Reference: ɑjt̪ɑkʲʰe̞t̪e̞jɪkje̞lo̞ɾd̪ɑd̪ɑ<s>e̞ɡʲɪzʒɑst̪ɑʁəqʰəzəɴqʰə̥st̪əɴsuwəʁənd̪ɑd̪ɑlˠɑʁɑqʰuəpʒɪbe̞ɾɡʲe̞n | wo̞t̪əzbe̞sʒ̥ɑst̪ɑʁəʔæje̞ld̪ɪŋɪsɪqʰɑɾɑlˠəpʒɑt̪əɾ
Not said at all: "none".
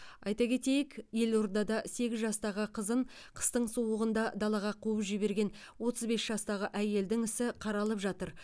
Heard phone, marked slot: s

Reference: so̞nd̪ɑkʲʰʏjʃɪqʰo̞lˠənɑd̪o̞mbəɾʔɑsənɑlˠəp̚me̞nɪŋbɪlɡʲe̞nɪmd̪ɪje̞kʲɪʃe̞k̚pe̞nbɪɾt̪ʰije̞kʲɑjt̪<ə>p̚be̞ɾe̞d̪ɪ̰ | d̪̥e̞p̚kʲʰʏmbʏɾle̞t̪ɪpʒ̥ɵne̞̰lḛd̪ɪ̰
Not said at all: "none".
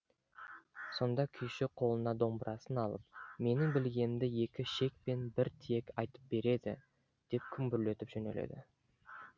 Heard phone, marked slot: ə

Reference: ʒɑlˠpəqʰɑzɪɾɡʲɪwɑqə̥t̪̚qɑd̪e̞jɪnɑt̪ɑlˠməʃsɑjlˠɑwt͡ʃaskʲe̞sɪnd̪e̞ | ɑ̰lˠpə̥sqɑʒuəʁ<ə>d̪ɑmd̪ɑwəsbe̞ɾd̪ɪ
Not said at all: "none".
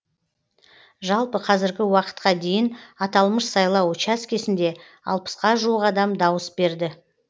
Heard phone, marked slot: ɑ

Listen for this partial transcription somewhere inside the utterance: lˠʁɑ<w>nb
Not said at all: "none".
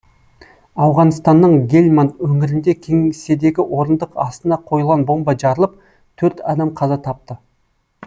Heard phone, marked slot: none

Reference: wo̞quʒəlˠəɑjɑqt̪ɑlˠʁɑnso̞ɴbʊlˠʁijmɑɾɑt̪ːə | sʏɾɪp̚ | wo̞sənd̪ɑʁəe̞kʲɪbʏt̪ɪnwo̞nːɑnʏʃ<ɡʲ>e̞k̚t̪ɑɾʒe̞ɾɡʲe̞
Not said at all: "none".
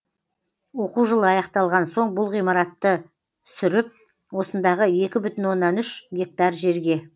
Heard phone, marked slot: ɡʲ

